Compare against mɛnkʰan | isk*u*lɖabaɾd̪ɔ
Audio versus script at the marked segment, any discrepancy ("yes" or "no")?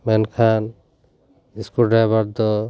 no